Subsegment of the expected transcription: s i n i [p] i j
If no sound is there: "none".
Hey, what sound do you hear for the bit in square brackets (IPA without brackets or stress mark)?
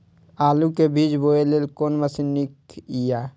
k